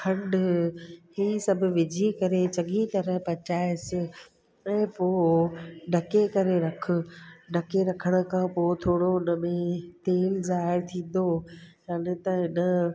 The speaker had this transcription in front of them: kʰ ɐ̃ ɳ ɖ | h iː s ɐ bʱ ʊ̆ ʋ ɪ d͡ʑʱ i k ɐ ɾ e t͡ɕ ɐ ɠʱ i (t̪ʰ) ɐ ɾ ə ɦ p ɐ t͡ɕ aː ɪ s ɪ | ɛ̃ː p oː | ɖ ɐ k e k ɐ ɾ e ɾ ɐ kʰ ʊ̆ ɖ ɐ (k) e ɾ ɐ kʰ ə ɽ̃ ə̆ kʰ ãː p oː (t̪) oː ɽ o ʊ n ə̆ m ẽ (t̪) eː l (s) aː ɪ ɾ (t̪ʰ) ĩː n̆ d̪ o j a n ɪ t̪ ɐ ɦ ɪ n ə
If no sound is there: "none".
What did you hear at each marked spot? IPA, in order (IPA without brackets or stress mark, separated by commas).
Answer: t̪, k, t̪ʰ, t̪, z, t̪ʰ